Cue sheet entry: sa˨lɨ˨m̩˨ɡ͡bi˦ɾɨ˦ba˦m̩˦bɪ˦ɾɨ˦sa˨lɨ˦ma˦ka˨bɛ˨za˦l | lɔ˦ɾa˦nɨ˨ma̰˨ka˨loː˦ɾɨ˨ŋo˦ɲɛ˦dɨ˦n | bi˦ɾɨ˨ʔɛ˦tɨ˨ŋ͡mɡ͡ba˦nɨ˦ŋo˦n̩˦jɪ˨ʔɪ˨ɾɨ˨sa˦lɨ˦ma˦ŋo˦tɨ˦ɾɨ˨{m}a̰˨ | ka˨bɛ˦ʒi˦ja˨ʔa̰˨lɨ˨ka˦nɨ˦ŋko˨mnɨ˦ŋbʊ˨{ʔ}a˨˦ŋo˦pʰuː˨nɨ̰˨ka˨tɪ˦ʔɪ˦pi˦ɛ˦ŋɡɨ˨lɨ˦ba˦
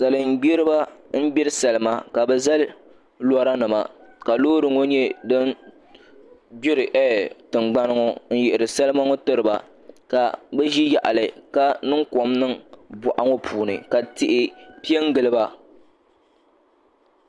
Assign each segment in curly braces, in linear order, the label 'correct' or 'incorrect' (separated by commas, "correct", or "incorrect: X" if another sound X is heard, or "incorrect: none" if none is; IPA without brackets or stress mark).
incorrect: b, correct